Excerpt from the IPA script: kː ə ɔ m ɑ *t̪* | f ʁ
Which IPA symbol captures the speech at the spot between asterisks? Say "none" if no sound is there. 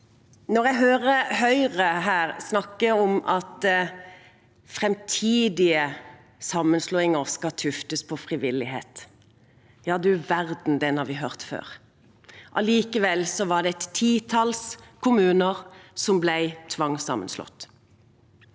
t̪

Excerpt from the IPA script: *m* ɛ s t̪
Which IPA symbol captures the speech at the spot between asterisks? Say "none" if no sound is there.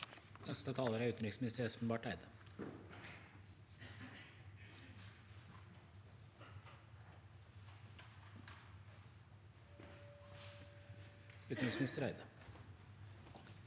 n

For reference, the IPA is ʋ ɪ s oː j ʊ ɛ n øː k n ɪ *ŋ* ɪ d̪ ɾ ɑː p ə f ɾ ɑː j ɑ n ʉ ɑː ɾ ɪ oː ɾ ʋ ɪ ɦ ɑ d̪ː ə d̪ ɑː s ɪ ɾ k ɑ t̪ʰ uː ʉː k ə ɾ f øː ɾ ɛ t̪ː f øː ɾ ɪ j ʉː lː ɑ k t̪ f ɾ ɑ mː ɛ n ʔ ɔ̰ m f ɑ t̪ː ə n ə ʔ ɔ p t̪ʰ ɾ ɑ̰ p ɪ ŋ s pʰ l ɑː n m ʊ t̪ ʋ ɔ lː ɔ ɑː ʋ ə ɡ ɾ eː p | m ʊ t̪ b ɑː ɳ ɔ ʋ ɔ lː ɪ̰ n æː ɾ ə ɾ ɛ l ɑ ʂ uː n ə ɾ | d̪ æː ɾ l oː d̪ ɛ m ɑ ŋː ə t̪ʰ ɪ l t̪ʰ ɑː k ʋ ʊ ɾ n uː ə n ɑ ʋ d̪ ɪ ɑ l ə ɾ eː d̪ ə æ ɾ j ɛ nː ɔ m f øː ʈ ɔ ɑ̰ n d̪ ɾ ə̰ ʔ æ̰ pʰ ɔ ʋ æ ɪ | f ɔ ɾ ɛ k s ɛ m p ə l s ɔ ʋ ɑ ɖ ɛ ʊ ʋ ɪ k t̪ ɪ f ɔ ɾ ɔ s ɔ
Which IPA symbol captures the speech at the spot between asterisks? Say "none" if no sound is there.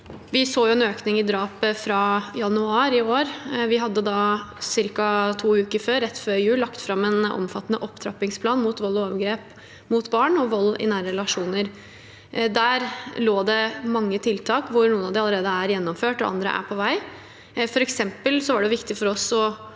ŋ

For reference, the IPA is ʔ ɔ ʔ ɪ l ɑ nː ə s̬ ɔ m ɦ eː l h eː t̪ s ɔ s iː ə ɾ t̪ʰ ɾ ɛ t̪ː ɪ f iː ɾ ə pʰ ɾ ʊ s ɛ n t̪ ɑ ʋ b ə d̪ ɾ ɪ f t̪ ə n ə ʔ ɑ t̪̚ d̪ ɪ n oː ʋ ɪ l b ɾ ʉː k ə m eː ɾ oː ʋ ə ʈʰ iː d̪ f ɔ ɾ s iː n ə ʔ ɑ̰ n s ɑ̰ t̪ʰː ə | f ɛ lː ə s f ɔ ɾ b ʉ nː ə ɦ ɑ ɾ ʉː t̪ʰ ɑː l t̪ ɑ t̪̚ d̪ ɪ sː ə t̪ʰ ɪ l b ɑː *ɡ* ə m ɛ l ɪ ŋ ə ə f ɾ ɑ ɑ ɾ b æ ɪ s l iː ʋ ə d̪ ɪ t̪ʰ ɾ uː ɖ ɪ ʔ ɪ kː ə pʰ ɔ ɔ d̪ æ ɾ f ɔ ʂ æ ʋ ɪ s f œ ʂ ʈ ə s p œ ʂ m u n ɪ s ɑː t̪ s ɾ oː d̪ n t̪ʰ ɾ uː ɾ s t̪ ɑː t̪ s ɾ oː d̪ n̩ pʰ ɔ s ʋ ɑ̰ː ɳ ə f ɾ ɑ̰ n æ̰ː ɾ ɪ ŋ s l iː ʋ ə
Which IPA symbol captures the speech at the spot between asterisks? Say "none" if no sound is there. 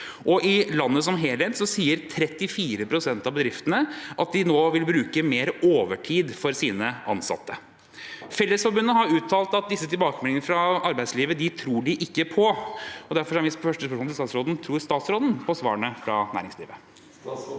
k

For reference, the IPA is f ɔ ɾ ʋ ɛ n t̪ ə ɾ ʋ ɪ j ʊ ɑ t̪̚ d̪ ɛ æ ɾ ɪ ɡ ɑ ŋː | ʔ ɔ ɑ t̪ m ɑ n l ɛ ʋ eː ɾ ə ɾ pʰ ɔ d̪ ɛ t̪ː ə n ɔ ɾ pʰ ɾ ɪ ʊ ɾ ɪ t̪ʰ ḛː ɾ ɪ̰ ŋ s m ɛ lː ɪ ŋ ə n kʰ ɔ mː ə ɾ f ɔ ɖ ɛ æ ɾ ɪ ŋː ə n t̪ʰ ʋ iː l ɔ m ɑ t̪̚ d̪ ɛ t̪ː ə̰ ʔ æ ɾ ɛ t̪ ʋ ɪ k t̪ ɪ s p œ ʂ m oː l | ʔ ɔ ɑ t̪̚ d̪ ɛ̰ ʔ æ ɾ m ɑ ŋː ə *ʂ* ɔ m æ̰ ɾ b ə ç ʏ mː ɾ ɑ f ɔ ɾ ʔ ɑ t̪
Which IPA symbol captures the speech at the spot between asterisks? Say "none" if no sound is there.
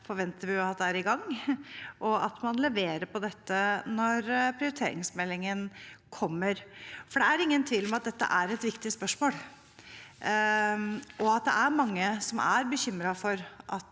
s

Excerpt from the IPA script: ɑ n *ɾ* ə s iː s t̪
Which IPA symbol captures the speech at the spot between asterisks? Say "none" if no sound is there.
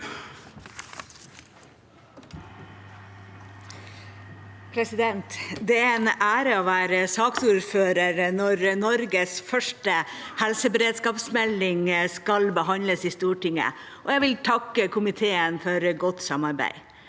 l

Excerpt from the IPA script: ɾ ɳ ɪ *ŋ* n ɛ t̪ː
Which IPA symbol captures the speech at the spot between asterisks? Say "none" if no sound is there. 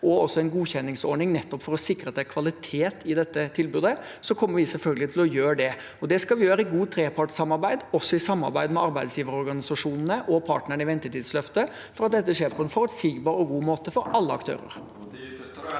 ŋ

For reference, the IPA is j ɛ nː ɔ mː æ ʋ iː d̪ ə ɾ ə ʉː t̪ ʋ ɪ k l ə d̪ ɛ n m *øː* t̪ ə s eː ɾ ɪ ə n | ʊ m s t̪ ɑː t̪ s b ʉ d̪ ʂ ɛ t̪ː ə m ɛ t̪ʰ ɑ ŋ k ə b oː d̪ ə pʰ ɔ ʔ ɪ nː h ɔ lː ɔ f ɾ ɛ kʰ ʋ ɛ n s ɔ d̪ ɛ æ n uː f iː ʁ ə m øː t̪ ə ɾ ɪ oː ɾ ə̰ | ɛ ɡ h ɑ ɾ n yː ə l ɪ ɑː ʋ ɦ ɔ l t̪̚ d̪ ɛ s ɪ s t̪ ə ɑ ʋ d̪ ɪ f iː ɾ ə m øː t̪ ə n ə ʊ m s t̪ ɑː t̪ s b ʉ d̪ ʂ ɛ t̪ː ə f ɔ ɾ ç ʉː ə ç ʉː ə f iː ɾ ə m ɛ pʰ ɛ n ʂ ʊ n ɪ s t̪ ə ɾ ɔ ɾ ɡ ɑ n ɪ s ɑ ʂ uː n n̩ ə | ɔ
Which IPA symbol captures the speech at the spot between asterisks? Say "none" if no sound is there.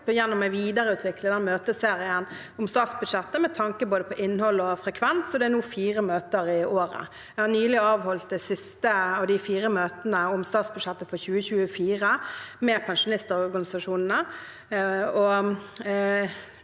øː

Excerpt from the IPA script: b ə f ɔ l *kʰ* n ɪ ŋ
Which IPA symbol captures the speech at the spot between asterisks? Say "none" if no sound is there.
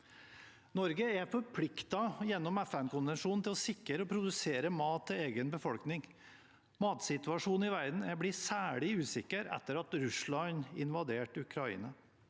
k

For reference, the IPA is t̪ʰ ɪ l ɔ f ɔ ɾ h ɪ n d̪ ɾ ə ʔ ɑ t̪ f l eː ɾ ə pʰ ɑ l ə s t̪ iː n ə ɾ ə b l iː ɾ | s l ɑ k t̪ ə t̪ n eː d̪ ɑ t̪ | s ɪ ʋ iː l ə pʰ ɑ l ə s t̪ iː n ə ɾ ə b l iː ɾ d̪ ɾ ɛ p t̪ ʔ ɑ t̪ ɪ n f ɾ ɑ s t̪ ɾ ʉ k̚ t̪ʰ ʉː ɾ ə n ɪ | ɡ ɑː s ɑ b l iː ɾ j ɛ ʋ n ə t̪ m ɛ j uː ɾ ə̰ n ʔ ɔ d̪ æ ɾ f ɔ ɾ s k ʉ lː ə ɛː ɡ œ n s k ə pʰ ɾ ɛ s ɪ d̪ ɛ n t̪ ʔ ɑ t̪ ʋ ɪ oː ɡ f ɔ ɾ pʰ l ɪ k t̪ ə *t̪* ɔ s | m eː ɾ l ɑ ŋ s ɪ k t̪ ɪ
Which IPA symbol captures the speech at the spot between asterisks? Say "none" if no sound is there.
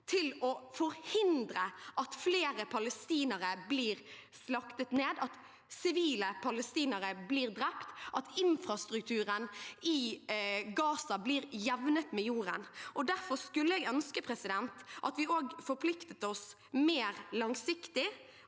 t̪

